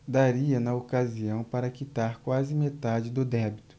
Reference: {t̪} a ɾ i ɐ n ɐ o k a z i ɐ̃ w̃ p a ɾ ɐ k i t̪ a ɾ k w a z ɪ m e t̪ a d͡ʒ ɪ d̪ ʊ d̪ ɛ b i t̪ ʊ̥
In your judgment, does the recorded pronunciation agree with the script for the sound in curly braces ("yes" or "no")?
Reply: no